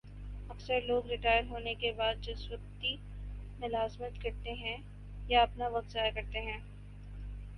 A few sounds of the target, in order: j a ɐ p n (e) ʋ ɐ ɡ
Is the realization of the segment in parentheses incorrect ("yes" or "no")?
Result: yes